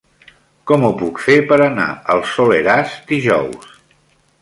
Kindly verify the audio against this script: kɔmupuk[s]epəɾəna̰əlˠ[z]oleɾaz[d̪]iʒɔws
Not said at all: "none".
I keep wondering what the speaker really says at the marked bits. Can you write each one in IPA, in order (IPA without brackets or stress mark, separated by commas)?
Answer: f, s, d̪